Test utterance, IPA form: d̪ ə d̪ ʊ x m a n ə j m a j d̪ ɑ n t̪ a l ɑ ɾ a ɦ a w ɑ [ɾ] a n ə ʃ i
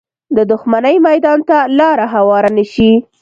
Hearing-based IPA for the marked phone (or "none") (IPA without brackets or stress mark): ɾ